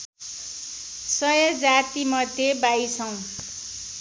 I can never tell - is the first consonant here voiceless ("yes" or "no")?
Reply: yes